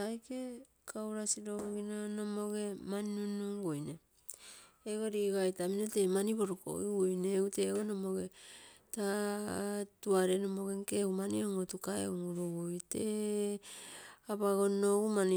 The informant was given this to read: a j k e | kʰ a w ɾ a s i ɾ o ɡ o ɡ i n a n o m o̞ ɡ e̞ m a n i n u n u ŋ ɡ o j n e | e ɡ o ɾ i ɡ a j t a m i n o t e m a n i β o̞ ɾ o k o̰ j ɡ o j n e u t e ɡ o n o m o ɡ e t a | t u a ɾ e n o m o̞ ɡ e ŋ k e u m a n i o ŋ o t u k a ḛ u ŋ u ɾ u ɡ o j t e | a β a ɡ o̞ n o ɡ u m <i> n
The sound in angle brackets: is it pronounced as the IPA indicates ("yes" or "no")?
no